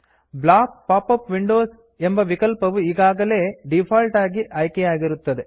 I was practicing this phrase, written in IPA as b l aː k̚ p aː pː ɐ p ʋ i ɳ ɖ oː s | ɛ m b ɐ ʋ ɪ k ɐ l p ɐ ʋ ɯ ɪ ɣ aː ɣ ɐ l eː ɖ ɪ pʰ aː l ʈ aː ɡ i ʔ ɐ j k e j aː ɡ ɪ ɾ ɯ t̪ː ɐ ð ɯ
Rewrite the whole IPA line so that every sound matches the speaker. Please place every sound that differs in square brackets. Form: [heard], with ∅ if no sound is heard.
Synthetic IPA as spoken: b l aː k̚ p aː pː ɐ p ʋ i ɳ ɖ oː s | ɛ m b ɐ ʋ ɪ k ɐ l p ɐ ʋ ɯ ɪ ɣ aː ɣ ɐ l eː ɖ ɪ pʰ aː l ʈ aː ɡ i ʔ ɐ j k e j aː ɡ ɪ ɾ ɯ t̪ː ɐ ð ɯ